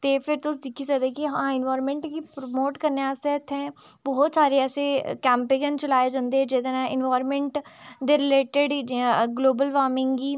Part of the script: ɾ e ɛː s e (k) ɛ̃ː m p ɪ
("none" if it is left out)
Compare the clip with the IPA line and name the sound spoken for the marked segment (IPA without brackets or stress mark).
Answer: k